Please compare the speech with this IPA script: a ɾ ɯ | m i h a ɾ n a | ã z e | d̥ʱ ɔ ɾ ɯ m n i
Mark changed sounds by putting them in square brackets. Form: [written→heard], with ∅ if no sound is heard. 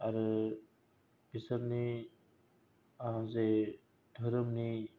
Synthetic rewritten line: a ɾ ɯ | [m→b] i [h→s] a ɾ n [a→i] | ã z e | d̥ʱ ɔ ɾ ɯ m n i